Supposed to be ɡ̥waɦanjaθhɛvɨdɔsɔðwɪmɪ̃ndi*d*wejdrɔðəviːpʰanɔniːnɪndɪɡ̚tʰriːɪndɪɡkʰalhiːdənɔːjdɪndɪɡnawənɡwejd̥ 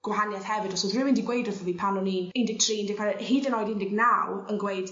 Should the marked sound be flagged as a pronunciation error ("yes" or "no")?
yes